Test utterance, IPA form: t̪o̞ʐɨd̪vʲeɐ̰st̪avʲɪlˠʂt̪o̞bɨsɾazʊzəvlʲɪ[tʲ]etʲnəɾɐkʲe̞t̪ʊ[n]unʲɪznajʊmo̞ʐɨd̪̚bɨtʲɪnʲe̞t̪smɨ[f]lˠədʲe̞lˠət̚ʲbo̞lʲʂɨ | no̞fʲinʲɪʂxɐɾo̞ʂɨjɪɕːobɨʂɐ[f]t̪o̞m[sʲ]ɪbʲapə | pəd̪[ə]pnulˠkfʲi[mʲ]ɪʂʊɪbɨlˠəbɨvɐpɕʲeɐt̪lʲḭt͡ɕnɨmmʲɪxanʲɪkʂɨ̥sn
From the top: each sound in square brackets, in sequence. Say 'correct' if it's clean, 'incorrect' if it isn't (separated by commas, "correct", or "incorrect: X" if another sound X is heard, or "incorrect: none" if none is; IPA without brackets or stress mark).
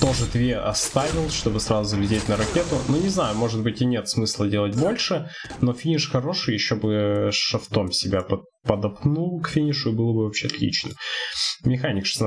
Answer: incorrect: dʲ, correct, incorrect: s, correct, correct, incorrect: ɐ, incorrect: nʲ